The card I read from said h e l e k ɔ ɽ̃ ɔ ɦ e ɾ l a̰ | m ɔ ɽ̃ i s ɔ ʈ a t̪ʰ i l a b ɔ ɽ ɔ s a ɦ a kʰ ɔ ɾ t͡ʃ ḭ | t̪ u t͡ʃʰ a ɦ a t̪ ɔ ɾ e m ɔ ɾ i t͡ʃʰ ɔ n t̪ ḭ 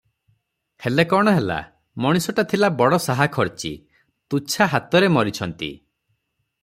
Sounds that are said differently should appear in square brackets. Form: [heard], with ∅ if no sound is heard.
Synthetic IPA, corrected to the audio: h e l e k ɔ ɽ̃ ɔ ɦ e [∅] l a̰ | m ɔ ɽ̃ i s ɔ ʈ a t̪ʰ i l a b ɔ ɽ ɔ s a ɦ a kʰ ɔ ɾ t͡ʃ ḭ | t̪ u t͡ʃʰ a ɦ a t̪ ɔ ɾ e m ɔ ɾ i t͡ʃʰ ɔ n t̪ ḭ